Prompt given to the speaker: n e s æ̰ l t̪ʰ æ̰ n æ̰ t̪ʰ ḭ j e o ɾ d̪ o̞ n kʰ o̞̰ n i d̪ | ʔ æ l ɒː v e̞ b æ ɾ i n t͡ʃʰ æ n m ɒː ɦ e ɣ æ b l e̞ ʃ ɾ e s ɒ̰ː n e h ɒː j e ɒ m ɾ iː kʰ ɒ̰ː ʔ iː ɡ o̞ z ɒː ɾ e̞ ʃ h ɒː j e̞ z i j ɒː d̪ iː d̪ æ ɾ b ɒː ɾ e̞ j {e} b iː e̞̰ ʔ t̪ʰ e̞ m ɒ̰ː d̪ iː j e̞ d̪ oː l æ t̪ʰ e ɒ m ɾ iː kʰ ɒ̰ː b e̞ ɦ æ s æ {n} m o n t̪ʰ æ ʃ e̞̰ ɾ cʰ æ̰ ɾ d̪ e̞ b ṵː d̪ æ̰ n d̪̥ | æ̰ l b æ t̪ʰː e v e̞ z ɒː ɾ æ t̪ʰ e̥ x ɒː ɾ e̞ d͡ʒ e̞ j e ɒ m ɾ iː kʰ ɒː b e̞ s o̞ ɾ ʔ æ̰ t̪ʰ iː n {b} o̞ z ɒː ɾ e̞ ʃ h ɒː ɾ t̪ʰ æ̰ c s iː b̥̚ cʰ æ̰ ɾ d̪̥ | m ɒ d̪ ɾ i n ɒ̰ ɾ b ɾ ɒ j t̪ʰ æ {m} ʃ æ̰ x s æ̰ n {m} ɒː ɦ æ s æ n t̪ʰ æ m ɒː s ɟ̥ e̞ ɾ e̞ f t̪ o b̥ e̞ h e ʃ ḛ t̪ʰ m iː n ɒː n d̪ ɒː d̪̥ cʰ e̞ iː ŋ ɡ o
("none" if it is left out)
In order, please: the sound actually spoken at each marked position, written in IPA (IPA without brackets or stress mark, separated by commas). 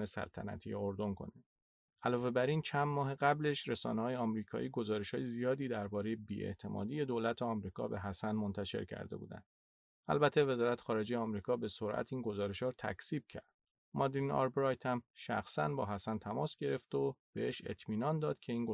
e, n, ɡ, m, b